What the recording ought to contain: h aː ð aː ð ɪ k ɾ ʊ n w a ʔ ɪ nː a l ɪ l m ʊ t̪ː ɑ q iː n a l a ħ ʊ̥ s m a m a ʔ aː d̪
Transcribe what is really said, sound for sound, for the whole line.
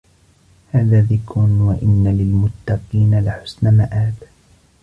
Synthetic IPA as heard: h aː ð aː ð ɪ k ɾ ʊ n w a ʔ ɪ nː a l ɪ l m ʊ t̪ː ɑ q iː n a l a ħ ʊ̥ s n a m a ʔ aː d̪